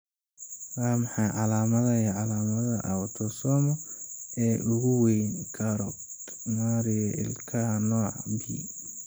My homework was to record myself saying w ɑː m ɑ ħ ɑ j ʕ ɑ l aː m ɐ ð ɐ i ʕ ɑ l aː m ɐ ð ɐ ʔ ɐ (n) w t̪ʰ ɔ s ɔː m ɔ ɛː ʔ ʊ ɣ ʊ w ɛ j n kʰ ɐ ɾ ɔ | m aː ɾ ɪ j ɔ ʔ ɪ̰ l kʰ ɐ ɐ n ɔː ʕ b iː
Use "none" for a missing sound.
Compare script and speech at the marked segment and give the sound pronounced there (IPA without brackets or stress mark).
none